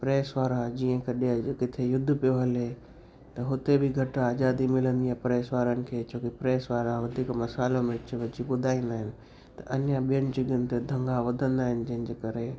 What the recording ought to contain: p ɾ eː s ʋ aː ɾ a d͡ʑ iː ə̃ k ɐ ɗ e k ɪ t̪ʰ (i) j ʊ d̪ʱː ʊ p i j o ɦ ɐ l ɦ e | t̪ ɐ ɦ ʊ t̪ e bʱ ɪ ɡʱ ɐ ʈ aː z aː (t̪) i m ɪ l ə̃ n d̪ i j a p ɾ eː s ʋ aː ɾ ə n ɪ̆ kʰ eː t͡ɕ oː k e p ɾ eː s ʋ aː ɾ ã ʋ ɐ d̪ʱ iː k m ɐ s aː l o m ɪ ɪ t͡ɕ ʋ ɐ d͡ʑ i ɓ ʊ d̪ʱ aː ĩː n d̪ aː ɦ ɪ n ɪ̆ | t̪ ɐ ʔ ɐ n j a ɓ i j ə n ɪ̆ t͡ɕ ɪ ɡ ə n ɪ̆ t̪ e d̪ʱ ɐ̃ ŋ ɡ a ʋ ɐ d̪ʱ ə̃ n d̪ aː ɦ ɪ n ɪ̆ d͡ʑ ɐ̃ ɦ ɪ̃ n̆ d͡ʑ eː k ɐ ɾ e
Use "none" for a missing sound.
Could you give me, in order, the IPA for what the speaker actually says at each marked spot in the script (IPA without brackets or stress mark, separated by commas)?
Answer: e, d̪